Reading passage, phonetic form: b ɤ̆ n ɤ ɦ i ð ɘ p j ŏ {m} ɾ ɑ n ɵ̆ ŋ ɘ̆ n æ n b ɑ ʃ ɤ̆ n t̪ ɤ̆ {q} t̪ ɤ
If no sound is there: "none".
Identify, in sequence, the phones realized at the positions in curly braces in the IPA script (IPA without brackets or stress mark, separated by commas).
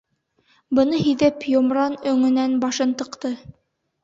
m, q